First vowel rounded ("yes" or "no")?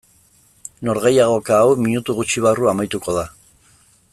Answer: yes